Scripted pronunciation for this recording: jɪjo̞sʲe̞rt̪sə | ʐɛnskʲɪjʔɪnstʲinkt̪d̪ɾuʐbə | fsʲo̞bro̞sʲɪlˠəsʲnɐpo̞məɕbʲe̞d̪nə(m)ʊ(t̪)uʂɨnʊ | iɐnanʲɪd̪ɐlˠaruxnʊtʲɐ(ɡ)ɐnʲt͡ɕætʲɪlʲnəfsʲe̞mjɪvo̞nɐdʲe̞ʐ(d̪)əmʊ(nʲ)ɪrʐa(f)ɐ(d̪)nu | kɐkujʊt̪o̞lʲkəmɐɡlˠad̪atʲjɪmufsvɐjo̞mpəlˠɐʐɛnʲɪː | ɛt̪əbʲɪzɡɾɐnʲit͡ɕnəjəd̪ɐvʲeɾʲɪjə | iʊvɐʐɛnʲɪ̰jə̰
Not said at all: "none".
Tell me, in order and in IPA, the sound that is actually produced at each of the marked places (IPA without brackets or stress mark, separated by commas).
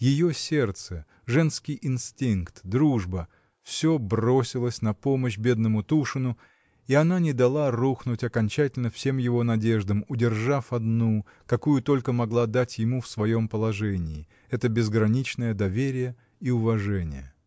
m, t̪, k, d̪, dʲ, f, d̪